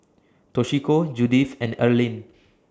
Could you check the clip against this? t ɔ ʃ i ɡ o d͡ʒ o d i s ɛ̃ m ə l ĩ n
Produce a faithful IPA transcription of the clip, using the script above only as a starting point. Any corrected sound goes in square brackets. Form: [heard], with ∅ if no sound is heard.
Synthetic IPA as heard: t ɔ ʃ i [k] o d͡ʒ [u] d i [f] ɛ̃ [n] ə l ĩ n